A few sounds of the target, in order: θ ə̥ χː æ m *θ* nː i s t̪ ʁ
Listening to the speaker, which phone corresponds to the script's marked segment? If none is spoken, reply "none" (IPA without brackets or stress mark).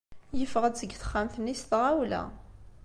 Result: θ